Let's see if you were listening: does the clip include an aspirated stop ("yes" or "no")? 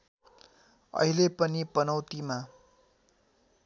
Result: no